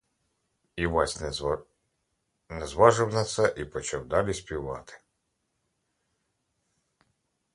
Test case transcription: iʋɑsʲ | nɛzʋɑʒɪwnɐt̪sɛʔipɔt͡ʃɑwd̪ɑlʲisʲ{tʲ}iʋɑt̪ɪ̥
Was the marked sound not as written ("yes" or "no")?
yes